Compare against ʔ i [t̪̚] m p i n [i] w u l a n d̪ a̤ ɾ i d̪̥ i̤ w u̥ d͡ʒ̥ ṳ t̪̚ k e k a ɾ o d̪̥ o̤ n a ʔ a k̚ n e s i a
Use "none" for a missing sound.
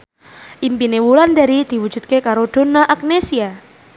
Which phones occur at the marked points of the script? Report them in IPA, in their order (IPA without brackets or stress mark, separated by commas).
none, e